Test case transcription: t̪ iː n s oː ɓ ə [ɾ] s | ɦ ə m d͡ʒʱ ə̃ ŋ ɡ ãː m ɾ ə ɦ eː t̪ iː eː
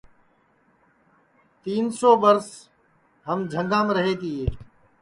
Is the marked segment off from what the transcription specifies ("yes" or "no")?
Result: no